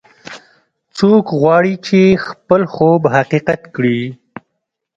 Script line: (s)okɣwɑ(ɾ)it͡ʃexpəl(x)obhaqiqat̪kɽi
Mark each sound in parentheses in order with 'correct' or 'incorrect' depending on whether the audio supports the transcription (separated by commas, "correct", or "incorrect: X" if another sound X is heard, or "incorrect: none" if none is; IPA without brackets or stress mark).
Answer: incorrect: t͡s, incorrect: ɽ, correct